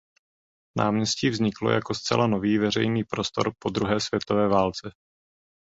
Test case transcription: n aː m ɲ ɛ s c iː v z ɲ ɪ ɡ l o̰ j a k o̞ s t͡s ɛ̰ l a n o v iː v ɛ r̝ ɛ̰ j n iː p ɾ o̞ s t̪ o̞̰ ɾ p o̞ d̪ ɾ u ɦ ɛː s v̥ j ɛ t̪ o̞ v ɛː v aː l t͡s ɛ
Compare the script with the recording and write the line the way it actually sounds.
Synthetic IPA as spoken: n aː m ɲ ɛ s c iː v z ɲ ɪ k l o̰ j a k o̞ s t͡s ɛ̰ l a n o v iː v ɛ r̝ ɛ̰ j n iː p ɾ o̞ s t̪ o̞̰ ɾ p o̞ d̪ ɾ u ɦ ɛː s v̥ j ɛ t̪ o̞ v ɛː v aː l t͡s ɛ